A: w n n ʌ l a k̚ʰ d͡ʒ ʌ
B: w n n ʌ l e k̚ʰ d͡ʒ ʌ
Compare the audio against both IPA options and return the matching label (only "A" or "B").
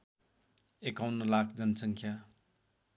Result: A